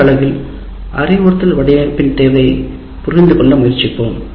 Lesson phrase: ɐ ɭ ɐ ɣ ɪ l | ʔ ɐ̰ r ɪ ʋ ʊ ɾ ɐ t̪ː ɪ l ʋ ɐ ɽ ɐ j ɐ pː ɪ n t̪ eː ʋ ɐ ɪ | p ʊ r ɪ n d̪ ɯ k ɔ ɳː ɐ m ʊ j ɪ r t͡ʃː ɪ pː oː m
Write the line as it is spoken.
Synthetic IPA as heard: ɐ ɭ ɐ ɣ ɪ l | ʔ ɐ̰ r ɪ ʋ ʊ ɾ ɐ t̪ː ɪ l ʋ ɐ ɽ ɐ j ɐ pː ɪ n t̪ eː ʋ ɐ ɪ | p ʊ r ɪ n d̪ ɯ k ɔ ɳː ɐ m ʊ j ɪ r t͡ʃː ɪ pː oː m